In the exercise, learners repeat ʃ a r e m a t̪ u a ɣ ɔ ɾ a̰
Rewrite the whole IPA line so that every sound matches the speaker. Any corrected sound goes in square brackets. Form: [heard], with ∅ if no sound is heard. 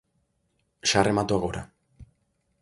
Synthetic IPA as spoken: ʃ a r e m a t̪ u a ɣ [o] ɾ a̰